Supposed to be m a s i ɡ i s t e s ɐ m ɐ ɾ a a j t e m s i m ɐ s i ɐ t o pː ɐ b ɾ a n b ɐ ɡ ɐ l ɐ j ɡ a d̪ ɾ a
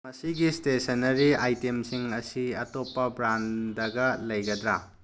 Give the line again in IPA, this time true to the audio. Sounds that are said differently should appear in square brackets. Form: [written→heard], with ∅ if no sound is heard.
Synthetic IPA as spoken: m [a→ɐ] s i ɡ i s t e s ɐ [m→n] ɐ ɾ [a→i] a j t e m s i [m→ŋ] ɐ s i ɐ t o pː ɐ b ɾ a n [b→d] ɐ ɡ ɐ l ɐ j ɡ [a→ɐ] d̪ ɾ a